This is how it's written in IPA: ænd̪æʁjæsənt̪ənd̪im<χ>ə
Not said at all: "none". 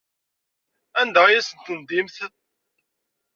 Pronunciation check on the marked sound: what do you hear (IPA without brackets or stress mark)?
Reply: θ